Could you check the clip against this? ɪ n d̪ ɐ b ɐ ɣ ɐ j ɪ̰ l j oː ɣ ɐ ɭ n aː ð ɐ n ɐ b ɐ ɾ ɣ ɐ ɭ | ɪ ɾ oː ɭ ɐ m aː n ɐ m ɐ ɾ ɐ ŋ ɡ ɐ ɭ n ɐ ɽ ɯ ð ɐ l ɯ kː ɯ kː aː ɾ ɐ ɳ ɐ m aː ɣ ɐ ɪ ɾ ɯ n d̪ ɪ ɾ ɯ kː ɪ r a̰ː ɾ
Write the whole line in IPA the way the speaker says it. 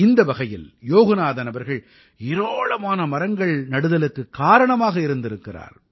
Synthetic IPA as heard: ɪ n d̪ ɐ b ɐ ɣ ɐ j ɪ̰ l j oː ɣ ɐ n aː ð ɐ n ɐ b ɐ ɾ ɣ ɐ ɭ | ɪ ɾ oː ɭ ɐ m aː n ɐ m ɐ ɾ ɐ ŋ ɡ ɐ ɭ n ɐ ɽ ɯ ð ɐ l ɯ kː ɯ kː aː ɾ ɐ ɳ ɐ m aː ɣ ɐ ɪ ɾ ɯ n d̪ ɪ ɾ ɯ kː ɪ r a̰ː ɾ